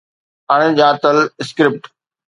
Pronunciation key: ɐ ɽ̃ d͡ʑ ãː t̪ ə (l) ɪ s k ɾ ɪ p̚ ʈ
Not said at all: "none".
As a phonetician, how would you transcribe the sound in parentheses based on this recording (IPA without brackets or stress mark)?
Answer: l